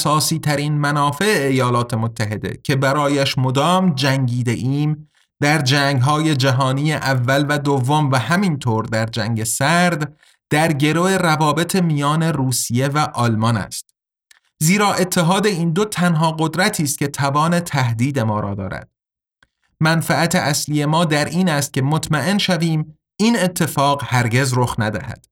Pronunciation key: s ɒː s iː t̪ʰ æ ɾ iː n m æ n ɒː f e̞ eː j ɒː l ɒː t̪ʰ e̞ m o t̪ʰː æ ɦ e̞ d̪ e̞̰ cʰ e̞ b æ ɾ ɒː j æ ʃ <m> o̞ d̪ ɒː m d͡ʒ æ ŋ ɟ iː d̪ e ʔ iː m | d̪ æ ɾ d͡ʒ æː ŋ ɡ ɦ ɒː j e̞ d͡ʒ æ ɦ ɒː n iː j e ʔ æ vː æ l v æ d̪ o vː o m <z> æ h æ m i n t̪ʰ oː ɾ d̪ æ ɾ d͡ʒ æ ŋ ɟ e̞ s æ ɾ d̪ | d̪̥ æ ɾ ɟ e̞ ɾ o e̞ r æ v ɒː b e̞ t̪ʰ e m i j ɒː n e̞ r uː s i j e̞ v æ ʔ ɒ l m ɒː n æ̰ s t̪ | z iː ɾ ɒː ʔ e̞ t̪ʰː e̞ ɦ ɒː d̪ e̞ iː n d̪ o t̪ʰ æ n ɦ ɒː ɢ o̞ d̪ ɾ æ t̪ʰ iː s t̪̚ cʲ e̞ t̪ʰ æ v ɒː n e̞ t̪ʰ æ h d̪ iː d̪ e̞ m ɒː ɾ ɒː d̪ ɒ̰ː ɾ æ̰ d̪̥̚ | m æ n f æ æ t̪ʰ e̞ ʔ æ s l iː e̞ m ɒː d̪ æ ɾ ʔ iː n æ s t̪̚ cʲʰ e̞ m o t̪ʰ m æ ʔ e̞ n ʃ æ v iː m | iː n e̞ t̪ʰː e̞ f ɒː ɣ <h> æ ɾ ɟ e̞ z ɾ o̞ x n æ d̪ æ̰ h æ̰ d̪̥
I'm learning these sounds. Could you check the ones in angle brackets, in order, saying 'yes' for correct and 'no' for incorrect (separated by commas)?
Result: yes, no, yes